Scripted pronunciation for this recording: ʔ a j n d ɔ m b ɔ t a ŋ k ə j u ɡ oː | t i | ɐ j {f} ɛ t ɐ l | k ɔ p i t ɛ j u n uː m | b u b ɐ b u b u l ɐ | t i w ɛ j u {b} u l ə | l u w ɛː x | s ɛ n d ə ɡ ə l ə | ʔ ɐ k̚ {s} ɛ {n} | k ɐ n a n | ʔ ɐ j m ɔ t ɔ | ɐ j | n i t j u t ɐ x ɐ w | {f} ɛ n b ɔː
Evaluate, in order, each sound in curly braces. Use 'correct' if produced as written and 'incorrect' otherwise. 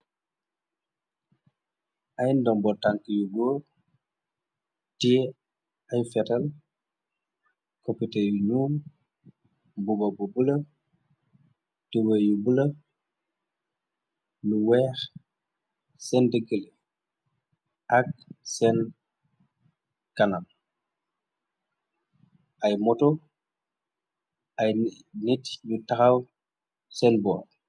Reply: correct, correct, correct, correct, incorrect: s

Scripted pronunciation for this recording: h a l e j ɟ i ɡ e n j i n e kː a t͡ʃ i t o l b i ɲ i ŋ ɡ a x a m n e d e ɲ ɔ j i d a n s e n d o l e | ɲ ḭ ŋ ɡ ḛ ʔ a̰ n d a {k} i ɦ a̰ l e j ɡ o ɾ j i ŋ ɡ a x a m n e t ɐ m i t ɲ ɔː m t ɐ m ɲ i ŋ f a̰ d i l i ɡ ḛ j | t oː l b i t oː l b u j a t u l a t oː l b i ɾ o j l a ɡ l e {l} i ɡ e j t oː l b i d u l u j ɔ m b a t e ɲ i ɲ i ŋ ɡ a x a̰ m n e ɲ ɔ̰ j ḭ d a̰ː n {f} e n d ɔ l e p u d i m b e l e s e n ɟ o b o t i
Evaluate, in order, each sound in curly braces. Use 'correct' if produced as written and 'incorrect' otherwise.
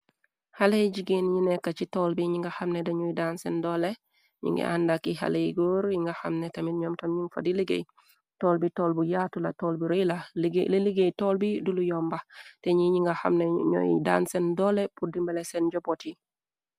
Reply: correct, correct, incorrect: s

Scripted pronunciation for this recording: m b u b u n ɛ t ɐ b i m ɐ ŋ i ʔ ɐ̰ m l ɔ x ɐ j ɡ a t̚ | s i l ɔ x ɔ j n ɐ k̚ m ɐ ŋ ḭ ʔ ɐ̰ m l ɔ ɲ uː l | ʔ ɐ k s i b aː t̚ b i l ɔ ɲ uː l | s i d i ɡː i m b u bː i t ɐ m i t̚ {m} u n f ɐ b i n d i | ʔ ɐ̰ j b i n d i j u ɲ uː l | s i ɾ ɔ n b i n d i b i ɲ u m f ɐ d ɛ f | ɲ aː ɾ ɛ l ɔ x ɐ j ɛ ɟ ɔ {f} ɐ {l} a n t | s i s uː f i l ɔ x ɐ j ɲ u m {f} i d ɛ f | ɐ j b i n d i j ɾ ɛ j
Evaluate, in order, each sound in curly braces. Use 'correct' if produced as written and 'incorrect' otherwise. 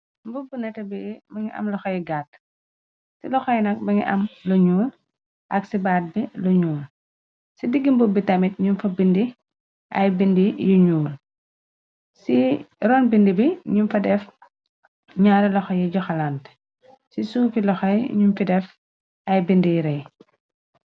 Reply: incorrect: ɲ, incorrect: x, correct, correct

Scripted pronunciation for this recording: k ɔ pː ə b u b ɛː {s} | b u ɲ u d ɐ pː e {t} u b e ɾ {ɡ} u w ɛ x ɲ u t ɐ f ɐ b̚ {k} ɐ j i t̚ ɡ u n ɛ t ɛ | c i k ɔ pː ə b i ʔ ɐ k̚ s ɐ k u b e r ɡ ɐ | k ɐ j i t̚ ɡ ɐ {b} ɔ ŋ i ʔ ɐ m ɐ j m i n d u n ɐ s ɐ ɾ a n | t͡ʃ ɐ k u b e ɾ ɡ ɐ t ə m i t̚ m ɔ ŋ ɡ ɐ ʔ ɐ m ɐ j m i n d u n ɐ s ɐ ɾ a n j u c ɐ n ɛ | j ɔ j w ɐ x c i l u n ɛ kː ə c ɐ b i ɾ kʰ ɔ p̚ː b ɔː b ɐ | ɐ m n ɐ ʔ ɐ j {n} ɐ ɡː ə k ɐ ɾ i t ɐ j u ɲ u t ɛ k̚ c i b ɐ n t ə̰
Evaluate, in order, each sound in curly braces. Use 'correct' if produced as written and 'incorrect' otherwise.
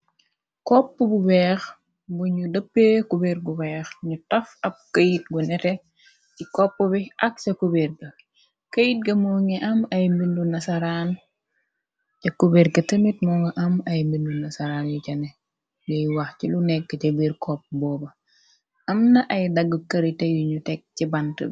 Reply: incorrect: x, incorrect: k, correct, correct, incorrect: m, incorrect: d

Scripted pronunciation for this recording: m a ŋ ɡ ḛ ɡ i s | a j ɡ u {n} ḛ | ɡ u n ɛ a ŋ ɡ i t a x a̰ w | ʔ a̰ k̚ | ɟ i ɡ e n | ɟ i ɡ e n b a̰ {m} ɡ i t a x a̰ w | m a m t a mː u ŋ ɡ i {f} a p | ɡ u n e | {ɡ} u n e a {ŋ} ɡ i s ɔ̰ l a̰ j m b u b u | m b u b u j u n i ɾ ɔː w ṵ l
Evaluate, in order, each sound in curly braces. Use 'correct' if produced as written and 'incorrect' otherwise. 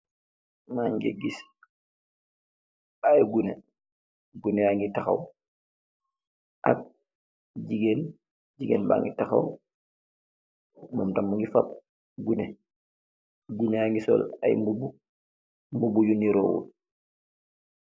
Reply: correct, incorrect: ŋ, correct, correct, correct

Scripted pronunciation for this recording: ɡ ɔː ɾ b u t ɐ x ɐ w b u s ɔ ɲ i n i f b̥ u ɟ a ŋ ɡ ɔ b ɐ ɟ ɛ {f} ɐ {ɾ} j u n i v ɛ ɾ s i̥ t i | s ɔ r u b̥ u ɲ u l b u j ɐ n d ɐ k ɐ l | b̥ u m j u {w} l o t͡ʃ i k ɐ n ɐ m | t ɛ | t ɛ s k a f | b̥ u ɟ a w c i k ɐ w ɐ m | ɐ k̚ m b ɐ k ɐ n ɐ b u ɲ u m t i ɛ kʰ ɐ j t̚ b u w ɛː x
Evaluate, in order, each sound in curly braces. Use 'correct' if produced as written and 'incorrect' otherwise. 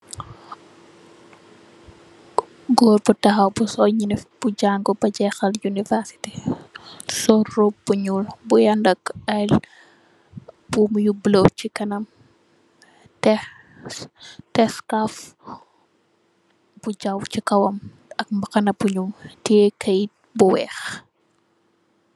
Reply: incorrect: x, incorrect: l, incorrect: b

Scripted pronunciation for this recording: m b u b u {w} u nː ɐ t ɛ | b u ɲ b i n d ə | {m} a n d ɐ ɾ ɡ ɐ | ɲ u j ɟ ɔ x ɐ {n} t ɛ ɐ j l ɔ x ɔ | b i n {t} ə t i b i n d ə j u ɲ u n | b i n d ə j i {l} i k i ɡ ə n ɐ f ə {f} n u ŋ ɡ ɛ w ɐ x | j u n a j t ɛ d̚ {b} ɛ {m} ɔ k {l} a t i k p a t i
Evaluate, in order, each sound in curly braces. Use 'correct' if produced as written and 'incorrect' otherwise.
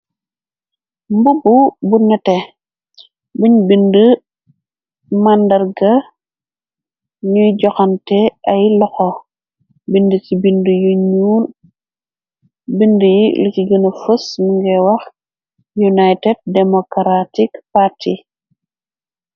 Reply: incorrect: b, correct, correct, incorrect: d, correct, incorrect: s, incorrect: d, correct, incorrect: ɾ

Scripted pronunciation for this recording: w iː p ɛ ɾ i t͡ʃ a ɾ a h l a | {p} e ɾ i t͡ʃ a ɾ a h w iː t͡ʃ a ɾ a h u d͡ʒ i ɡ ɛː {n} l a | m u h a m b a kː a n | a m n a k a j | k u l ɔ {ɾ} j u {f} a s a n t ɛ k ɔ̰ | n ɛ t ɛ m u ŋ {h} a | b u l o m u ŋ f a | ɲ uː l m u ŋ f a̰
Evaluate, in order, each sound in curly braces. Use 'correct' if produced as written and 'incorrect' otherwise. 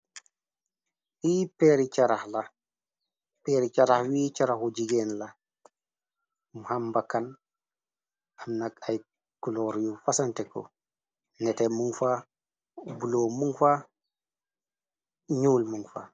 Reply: correct, correct, correct, correct, incorrect: f

